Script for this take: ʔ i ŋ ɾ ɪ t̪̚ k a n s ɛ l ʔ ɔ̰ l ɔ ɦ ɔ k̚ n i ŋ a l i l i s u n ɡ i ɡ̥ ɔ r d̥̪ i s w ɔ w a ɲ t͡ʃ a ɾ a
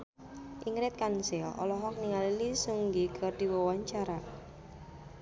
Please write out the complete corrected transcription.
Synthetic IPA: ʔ i ŋ ɾ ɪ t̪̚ k a n s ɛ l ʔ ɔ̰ l ɔ ɦ ɔ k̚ n i ŋ a l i l i s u ŋ ɡ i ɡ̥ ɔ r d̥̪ i w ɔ w a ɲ t͡ʃ a ɾ a